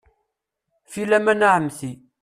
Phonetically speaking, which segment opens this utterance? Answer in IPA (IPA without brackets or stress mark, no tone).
f